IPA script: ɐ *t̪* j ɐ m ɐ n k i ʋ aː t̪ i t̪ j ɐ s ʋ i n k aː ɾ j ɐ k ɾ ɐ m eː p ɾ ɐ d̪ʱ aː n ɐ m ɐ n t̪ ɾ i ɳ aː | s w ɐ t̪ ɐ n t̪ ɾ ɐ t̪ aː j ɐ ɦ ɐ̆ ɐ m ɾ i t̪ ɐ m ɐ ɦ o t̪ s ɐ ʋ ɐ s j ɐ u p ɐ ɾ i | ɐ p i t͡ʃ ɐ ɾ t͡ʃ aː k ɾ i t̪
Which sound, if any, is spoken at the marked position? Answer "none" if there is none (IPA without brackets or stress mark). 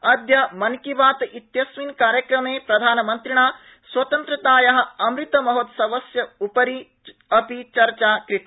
d̪